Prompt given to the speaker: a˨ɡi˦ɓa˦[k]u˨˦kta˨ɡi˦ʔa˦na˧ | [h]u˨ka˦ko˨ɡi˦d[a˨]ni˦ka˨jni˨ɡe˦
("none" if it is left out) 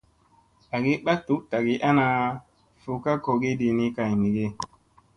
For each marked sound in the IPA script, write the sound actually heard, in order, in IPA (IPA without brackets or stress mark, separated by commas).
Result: t, f, i˨